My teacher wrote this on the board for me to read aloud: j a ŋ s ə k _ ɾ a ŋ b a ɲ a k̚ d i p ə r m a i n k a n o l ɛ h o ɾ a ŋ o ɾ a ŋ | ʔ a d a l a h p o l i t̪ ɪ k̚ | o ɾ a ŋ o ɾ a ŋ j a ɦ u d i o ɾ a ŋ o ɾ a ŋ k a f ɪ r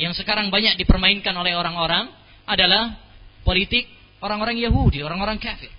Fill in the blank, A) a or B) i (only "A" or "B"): A